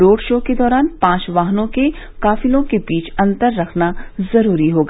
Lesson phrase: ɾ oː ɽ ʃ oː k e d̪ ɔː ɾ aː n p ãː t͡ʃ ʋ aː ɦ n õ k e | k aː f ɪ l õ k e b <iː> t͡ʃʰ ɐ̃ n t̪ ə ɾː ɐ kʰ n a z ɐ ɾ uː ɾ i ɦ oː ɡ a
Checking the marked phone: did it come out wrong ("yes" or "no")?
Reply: no